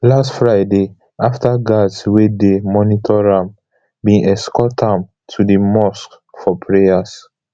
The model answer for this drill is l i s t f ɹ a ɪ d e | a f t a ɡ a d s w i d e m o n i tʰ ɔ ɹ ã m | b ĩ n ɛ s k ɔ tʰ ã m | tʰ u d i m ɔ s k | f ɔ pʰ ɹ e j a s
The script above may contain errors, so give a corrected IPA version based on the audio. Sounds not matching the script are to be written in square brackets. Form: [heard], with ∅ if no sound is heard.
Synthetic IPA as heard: l [a] s t f ɹ a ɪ d e | a f t a ɡ a d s w [e] d e m [ɔ] n i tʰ ɔ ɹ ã m | b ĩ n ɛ s k ɔ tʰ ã m | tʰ u d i m ɔ s k | f ɔ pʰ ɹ e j a s